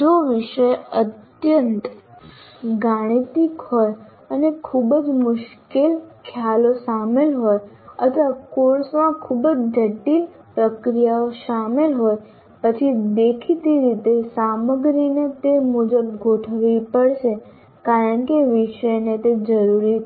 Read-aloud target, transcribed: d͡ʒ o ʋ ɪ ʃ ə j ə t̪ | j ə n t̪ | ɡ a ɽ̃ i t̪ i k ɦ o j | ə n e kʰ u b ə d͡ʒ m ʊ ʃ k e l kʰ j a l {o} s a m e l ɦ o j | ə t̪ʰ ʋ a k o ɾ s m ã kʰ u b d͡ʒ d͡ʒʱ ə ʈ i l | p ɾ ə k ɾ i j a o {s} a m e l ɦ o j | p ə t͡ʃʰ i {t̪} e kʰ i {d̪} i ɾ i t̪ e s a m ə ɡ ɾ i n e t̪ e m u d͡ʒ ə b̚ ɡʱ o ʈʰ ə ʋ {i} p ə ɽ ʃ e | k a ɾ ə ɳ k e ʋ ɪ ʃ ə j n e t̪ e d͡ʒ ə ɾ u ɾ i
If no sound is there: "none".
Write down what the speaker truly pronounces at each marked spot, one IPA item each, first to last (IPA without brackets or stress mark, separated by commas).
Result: o, ʃ, d̪, t̪, i